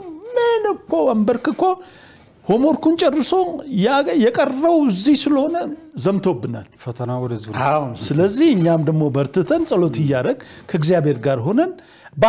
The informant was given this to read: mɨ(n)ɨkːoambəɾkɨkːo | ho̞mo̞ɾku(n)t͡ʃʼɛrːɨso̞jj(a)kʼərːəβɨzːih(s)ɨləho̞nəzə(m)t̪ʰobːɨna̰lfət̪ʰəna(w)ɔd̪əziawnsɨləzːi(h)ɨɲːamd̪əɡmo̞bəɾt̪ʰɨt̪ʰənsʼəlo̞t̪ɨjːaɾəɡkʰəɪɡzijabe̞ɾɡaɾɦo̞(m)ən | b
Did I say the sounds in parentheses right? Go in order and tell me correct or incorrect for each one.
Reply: correct, correct, incorrect, correct, correct, correct, correct, incorrect

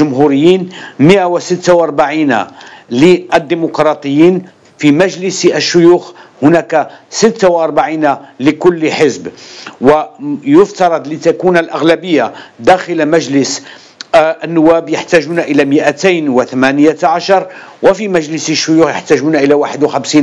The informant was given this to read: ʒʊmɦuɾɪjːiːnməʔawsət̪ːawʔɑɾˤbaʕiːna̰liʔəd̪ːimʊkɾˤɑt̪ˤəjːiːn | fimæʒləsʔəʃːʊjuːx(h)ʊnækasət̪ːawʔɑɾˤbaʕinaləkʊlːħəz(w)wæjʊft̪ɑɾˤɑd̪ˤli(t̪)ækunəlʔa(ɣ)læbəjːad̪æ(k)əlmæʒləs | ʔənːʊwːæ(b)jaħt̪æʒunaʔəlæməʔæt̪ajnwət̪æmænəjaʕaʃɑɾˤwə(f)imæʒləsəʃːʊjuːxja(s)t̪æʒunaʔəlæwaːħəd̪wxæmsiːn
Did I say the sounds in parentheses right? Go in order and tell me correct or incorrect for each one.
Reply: correct, incorrect, correct, correct, incorrect, correct, correct, incorrect

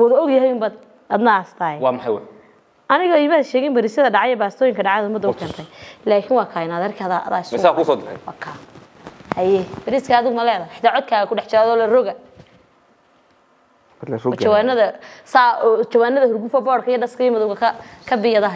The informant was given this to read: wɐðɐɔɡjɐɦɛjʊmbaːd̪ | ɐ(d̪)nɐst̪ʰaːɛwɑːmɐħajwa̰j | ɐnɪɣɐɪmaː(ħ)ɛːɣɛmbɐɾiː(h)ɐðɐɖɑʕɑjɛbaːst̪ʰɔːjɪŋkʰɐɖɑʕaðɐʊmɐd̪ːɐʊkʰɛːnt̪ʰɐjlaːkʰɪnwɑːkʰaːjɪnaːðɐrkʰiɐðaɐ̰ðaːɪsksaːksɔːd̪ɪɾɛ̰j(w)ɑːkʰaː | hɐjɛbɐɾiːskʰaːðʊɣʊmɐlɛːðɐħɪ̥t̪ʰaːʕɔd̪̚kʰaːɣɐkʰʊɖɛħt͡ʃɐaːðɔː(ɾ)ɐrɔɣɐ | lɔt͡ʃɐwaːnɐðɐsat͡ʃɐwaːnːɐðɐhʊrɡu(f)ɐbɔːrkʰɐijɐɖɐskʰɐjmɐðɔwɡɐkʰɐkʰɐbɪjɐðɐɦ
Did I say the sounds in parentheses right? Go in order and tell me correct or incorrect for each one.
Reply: correct, incorrect, incorrect, correct, incorrect, correct

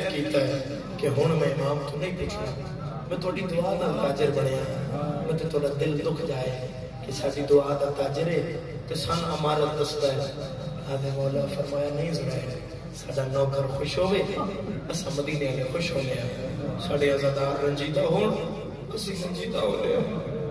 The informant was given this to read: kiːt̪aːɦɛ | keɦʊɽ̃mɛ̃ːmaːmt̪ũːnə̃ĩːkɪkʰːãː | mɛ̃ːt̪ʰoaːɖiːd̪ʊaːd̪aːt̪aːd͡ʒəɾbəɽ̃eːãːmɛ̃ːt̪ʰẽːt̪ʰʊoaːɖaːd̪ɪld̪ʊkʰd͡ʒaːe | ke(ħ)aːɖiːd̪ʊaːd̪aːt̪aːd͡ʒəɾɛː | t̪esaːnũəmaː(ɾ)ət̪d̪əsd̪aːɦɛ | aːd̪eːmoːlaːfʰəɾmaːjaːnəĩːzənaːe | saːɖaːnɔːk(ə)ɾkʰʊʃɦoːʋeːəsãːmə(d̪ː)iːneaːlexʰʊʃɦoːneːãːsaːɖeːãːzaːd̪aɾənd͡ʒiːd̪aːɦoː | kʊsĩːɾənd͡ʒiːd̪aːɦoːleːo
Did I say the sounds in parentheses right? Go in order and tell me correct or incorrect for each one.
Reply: incorrect, correct, correct, incorrect

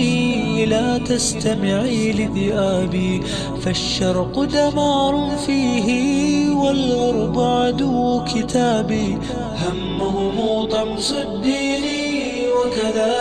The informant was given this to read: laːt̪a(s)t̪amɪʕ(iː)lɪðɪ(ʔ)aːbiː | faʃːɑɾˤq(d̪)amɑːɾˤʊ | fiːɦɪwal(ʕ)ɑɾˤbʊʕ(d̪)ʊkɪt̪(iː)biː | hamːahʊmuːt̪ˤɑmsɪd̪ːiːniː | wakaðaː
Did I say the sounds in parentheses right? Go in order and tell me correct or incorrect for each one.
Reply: correct, correct, correct, correct, incorrect, correct, incorrect

